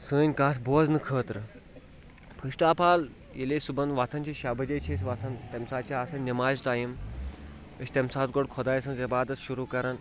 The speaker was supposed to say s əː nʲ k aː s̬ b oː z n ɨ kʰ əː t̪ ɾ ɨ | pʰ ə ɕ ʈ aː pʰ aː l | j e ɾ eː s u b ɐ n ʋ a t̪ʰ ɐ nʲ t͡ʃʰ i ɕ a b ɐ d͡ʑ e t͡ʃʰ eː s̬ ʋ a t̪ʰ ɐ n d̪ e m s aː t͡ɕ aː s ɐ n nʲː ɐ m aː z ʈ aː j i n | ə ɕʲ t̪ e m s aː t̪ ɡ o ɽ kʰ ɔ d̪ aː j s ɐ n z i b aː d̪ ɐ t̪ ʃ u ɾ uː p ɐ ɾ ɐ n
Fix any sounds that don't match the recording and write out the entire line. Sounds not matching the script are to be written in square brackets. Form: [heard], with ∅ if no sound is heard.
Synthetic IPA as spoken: s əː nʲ k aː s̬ b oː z n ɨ kʰ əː t̪ ɾ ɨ | pʰ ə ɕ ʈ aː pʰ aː l | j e [l] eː s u b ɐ n ʋ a t̪ʰ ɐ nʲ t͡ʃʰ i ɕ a b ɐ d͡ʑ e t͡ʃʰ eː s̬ ʋ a t̪ʰ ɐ n [t̪] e m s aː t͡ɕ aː s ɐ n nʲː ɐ m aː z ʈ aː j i [m] | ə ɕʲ t̪ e m s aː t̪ ɡ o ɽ kʰ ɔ d̪ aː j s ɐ n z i b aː d̪ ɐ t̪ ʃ u ɾ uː [k] ɐ ɾ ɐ n